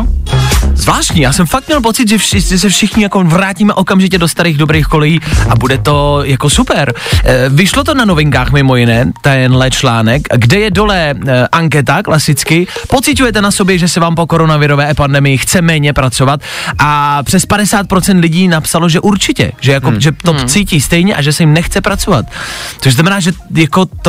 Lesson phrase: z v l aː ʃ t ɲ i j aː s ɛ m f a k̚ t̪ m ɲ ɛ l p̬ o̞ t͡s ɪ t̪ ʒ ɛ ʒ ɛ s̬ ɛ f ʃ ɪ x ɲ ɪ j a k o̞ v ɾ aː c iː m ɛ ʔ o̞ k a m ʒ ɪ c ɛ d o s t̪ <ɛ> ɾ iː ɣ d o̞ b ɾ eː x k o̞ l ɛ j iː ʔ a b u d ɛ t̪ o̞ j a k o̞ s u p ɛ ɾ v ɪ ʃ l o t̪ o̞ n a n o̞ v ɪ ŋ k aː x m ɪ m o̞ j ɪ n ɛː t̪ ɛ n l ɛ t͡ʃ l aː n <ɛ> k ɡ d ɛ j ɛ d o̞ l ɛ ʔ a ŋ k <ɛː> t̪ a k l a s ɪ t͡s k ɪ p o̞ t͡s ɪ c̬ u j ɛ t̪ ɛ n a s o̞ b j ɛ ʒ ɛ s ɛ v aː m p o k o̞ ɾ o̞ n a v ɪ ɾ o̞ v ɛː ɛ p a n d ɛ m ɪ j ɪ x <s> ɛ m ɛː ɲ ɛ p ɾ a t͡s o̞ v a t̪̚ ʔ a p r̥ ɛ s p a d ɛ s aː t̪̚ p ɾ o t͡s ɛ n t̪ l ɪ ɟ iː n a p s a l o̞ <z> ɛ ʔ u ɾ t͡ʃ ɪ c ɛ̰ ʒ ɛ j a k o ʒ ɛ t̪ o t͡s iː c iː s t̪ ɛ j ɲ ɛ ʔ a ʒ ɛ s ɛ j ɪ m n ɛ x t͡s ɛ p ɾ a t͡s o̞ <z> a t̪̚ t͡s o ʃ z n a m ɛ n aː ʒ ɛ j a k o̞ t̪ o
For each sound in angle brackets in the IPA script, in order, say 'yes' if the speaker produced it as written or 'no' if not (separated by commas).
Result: no, yes, no, no, no, no